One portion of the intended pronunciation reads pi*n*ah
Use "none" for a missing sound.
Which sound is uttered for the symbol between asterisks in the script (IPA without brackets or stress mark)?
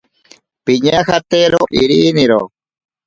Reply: ɲ